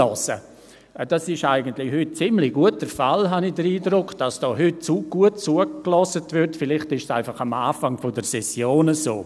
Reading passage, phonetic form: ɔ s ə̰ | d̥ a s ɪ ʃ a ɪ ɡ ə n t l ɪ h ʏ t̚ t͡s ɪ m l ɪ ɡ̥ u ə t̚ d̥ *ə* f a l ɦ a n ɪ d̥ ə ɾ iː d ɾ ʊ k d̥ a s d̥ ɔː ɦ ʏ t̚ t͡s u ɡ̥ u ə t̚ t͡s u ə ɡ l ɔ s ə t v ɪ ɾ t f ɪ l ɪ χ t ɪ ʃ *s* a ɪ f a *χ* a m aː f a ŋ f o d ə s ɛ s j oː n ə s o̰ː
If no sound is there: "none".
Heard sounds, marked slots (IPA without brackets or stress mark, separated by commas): ə, s, χ